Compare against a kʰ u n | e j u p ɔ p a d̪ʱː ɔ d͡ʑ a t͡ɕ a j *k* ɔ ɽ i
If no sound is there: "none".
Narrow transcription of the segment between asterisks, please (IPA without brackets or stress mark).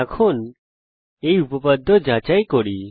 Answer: k